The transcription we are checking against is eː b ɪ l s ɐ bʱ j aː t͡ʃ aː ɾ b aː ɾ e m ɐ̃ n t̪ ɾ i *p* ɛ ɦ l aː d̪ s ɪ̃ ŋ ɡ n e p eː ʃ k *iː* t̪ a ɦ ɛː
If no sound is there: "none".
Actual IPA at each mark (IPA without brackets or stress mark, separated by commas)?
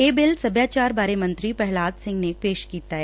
p, iː